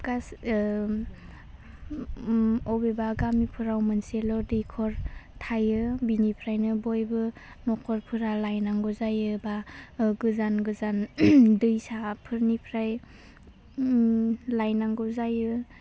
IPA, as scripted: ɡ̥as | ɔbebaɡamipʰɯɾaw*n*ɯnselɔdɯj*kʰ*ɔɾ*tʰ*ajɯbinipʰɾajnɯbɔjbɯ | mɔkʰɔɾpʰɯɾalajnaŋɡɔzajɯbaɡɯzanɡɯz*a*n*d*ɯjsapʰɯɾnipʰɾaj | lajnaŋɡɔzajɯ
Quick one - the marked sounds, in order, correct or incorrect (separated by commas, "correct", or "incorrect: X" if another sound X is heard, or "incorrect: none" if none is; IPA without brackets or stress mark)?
incorrect: m, correct, correct, correct, correct